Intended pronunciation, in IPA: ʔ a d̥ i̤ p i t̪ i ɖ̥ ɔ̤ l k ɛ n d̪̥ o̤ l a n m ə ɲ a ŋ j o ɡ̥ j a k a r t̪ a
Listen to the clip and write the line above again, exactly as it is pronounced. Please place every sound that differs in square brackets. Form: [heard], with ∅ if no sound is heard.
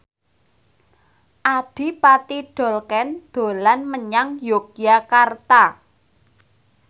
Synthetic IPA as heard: ʔ a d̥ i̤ p [a] t̪ i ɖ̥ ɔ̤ l k ɛ n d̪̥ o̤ l a n m ə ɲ a ŋ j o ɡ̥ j a k a r t̪ a